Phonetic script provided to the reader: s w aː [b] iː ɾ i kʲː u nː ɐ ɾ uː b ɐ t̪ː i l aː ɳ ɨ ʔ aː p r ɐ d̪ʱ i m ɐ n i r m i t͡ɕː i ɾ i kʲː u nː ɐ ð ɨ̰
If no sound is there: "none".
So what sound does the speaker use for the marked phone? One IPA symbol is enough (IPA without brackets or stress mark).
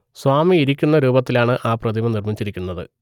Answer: m